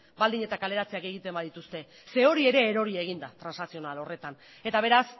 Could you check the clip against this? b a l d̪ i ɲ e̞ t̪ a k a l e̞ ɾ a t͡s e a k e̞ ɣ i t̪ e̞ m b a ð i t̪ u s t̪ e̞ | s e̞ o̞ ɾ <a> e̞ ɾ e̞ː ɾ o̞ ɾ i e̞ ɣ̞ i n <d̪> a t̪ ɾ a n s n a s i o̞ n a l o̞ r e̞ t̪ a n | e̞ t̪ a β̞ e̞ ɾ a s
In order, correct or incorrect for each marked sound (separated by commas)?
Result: incorrect, correct